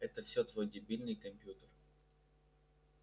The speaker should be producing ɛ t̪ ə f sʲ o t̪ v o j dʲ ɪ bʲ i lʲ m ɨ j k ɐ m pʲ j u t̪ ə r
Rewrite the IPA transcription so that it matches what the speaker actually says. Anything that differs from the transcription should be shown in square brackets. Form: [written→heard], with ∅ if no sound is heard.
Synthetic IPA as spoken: ɛ t̪ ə f sʲ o t̪ v o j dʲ ɪ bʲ i lʲ [m→n] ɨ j k ɐ m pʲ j u t̪ ə r